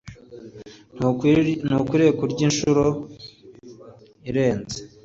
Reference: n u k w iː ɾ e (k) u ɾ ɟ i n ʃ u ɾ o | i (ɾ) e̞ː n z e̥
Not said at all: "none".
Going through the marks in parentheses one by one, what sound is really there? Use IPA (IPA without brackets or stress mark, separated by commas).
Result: k, ɾ